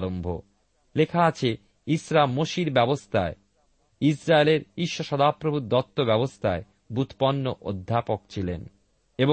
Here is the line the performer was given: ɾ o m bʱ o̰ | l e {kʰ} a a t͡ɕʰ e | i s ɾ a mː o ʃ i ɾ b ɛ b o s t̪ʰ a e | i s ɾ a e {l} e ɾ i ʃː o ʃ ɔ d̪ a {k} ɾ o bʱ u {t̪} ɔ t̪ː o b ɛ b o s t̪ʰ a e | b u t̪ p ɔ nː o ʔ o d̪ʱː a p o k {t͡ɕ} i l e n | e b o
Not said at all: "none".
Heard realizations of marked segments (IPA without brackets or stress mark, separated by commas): kʰ, l, p, d̪, t͡ɕʰ